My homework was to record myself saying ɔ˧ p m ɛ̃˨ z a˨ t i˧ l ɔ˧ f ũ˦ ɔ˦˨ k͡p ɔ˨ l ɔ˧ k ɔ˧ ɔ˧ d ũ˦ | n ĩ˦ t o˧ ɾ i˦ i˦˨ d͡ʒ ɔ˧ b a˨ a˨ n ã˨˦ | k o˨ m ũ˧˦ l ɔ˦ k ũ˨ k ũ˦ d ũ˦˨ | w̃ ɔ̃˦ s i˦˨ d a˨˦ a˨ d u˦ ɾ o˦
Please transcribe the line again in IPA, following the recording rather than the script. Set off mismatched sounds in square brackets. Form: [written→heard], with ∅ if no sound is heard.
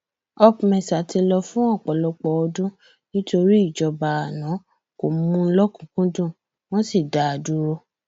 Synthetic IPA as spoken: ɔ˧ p m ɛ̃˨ [z→s] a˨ t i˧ l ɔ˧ f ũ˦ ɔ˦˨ k͡p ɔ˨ l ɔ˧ [k→k͡p] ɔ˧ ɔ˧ d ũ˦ | n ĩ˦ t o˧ ɾ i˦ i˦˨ d͡ʒ ɔ˧ b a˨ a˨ n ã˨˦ | k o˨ m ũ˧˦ l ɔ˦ k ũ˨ k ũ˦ d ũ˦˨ | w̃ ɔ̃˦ s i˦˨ d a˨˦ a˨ d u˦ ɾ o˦